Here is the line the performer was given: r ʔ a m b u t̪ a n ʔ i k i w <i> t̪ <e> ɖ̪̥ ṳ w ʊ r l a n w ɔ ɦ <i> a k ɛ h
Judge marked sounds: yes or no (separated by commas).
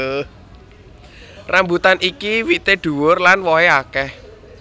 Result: yes, yes, no